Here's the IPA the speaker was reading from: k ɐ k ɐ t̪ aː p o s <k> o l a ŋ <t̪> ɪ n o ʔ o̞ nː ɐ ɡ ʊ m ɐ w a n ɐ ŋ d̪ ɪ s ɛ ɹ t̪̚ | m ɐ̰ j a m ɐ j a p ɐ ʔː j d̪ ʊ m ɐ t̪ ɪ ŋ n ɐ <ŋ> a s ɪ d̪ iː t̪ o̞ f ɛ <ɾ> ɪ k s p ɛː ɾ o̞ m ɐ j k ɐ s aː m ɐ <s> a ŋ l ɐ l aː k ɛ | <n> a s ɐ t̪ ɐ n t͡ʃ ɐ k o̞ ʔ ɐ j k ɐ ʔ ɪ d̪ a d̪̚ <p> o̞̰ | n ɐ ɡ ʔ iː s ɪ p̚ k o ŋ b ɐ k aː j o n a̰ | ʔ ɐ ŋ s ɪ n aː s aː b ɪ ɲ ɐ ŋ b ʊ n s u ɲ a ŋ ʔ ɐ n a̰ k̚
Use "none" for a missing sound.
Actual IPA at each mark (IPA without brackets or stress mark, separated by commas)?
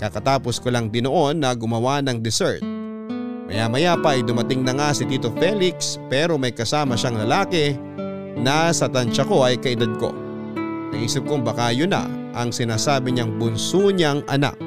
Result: k, d̪, ŋ, l, ʃ, n, k